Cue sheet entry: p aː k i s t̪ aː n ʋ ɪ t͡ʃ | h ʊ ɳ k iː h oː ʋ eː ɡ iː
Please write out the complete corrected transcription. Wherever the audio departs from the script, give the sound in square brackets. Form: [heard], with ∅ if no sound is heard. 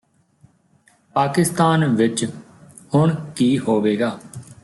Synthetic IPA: p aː k [ɪ] s t̪ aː n ʋ ɪ t͡ʃ | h ʊ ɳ k iː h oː ʋ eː ɡ [aː]

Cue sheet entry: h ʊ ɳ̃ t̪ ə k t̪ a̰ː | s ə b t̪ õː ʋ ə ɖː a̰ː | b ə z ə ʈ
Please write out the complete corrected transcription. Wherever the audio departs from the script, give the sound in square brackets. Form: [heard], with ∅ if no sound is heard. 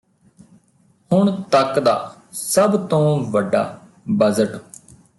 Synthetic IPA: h ʊ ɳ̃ t̪ ə k [d̪] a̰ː | s ə b t̪ õː ʋ ə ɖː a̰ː | b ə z ə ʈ

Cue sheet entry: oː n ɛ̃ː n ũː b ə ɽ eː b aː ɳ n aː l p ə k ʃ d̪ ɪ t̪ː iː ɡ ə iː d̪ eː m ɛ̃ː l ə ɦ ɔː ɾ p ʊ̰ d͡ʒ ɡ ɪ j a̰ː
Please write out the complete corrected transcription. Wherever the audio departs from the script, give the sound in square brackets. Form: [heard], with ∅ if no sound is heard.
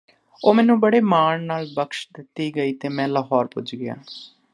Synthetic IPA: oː [m] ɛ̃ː n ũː b ə ɽ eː [m] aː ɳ n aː l [b] ə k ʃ d̪ ɪ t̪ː iː ɡ ə iː [t̪] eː m ɛ̃ː l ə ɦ ɔː ɾ p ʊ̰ d͡ʒ ɡ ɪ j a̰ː

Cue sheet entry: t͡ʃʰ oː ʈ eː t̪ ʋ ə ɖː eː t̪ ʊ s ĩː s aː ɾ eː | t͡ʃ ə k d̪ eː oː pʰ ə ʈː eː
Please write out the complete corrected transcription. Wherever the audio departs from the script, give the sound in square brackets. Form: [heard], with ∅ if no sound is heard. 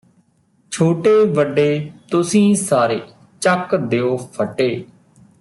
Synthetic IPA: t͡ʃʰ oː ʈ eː [∅] ʋ ə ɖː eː t̪ ʊ s ĩː s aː ɾ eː | t͡ʃ ə k d̪ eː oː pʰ ə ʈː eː

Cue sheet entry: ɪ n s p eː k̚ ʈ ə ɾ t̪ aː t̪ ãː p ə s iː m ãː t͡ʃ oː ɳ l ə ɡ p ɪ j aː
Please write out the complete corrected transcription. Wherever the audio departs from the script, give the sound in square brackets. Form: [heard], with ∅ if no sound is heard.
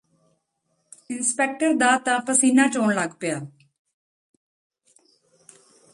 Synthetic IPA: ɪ n s p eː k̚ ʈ ə ɾ [d̪] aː t̪ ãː p ə s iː [n] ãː t͡ʃ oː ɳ l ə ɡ p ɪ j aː

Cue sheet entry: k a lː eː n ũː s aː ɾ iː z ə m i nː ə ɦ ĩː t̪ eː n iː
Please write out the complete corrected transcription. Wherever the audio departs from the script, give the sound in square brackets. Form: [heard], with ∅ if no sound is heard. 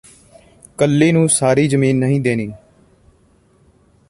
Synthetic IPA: k [ə] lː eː n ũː s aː ɾ iː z ə m [iː] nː ə ɦ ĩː [d̪] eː n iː

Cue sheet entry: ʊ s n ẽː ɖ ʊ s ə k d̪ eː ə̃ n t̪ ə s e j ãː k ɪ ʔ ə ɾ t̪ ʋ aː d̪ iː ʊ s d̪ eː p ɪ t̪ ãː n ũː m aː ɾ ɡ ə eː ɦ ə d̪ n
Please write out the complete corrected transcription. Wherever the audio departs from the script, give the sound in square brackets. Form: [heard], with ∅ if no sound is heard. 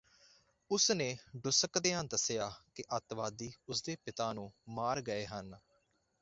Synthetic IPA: ʊ s n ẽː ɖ ʊ s ə k d̪ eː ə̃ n [d̪] ə s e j [aː] k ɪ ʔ ə [∅] t̪ ʋ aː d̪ iː ʊ s d̪ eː p ɪ t̪ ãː n ũː m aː ɾ ɡ ə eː ɦ ə [∅] n

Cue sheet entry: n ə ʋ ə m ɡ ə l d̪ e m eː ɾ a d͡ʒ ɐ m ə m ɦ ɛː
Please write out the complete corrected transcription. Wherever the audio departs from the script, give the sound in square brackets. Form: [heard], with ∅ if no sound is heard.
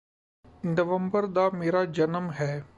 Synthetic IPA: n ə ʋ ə m [b] ə [ɾ] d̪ [a] m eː ɾ a d͡ʒ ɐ [n] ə m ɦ ɛː

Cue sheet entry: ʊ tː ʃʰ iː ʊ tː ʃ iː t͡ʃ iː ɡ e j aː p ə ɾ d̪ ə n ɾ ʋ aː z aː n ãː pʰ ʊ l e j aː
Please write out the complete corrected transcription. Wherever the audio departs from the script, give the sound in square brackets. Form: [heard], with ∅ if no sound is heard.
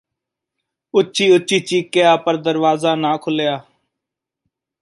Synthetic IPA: ʊ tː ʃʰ iː ʊ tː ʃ iː t͡ʃ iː [k] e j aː p ə ɾ d̪ ə [∅] ɾ ʋ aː z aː n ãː [kʰ] ʊ l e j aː

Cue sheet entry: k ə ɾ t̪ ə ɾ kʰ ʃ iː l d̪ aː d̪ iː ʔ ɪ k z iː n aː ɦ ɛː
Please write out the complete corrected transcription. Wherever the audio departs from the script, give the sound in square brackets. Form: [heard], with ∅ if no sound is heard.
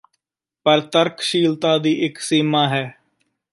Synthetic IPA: [p] ə ɾ t̪ ə ɾ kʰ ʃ iː l [t̪] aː d̪ iː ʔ ɪ k [s] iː [m] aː ɦ ɛː

